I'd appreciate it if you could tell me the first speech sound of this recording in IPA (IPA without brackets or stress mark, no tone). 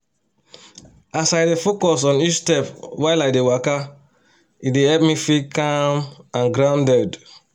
a